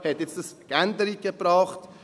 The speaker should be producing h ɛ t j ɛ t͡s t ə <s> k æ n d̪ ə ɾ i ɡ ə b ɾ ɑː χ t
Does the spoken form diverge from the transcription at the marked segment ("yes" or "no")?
no